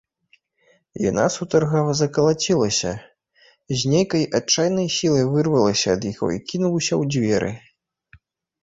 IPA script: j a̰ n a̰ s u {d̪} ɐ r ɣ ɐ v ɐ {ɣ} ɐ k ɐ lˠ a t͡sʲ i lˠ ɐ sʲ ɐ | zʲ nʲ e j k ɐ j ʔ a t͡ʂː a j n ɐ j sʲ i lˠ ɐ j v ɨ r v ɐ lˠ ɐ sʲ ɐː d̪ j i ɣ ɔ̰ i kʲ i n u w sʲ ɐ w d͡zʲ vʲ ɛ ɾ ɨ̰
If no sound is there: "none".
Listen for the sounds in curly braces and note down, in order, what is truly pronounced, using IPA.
t̪, z

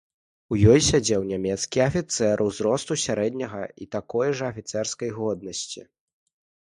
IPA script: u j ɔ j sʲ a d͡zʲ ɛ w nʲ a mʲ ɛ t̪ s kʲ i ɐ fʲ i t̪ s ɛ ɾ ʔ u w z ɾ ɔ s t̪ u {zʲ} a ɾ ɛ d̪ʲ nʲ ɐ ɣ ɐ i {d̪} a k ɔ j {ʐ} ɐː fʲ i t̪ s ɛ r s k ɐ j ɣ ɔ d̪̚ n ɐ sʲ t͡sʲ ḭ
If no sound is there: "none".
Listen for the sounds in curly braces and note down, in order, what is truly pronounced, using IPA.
sʲ, t̪, ʐ

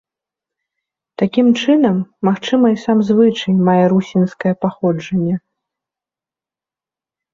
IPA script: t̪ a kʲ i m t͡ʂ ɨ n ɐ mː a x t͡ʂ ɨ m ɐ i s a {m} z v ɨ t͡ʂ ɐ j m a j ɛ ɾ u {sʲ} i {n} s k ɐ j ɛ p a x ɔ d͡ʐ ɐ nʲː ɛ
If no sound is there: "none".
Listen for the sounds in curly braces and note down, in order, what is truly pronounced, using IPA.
m, sʲ, n

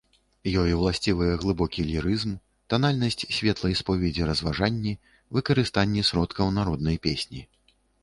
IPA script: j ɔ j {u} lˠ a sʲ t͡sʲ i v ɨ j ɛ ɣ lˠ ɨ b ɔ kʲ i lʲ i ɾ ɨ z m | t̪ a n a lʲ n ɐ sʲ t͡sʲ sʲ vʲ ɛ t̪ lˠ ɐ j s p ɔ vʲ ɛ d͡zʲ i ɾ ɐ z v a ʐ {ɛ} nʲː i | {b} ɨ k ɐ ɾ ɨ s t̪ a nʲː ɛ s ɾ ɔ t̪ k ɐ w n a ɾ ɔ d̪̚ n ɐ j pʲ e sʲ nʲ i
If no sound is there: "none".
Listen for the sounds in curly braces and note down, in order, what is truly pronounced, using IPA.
w, a, v

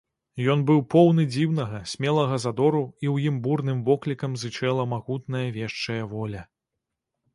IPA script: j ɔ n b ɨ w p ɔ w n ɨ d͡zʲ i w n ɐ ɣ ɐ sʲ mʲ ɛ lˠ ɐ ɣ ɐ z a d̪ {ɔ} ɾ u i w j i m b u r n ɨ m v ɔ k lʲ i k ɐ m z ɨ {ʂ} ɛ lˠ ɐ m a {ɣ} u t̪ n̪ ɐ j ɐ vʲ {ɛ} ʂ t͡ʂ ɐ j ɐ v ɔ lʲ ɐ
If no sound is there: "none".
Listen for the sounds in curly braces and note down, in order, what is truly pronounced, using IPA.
ɔ, t͡ʂ, ɣ, ɛ

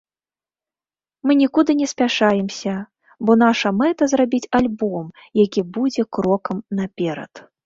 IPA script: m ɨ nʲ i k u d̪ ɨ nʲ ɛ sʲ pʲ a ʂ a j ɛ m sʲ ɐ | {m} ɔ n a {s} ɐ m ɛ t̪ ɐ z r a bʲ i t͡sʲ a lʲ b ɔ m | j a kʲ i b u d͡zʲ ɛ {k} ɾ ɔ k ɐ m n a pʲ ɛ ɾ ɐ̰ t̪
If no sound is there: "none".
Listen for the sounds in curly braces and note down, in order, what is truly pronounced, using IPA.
b, ʂ, k

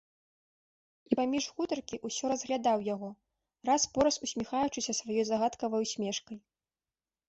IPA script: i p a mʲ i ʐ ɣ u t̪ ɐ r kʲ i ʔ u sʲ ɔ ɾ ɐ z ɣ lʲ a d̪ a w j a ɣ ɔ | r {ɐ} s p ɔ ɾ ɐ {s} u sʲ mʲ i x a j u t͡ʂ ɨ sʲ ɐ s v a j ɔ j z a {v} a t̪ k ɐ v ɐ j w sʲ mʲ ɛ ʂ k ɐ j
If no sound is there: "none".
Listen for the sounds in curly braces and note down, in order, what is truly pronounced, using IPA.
a, s, ɣ

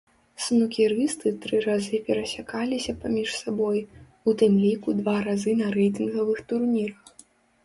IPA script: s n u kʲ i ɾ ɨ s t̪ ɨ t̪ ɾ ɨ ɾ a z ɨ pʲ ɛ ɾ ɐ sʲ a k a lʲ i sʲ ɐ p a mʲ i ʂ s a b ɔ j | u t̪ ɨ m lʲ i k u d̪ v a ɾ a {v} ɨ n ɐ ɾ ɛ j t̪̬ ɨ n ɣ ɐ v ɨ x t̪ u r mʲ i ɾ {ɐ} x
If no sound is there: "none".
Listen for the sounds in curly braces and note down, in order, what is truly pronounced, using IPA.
z, ɐ

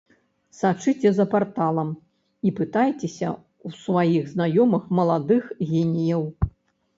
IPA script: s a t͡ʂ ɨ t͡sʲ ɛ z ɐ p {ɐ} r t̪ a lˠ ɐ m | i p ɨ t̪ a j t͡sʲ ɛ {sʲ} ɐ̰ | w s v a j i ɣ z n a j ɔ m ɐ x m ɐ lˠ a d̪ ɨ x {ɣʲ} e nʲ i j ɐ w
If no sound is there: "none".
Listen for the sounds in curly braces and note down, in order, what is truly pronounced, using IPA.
a, sʲ, ɣʲ

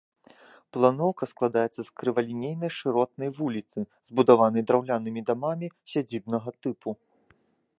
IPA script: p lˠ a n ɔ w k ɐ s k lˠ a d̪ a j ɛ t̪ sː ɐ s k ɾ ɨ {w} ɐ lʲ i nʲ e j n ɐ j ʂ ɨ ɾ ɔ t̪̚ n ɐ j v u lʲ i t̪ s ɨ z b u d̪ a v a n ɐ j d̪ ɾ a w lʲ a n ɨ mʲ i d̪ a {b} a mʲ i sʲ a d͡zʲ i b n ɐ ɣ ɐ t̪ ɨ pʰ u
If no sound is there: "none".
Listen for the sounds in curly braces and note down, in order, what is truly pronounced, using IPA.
v, m

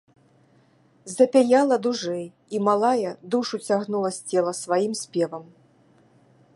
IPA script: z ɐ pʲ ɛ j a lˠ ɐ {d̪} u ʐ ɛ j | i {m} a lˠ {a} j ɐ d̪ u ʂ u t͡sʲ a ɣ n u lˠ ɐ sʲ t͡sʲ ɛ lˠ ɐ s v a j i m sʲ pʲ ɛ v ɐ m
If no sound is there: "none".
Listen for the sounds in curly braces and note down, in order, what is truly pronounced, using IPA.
d̪, m, a

